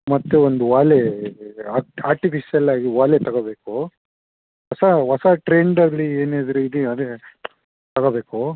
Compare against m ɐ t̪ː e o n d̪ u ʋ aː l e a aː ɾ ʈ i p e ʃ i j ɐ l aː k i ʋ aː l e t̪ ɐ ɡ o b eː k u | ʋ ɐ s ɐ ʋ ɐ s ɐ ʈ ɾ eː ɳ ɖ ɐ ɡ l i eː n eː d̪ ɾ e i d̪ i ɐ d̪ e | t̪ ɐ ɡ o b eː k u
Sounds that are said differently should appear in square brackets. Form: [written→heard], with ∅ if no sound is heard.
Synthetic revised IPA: m ɐ t̪ː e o n d̪ u ʋ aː l e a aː ɾ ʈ i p [e→i] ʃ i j ɐ l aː [k→ɡ] i ʋ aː l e t̪ ɐ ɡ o b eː k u | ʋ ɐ s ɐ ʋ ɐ s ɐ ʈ ɾ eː ɳ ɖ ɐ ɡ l i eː n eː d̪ ɾ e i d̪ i ɐ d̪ e | t̪ ɐ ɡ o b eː k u